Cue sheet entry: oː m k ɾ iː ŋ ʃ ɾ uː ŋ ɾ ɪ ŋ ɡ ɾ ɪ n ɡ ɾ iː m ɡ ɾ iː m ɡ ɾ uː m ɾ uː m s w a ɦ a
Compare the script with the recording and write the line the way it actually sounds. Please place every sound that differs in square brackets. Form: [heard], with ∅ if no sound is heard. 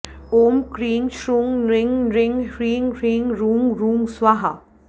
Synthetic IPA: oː m k ɾ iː ŋ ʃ ɾ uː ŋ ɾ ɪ ŋ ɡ ɾ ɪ [ŋ] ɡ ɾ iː [ŋ] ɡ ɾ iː [ŋ] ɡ ɾ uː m ɾ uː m s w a ɦ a